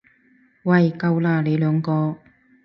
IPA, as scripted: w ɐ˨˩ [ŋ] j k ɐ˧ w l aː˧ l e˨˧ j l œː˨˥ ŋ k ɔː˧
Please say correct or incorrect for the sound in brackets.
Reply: incorrect